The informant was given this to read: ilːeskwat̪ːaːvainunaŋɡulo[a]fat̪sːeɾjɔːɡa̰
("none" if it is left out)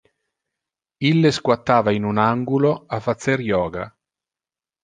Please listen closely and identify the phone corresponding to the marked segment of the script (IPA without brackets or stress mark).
a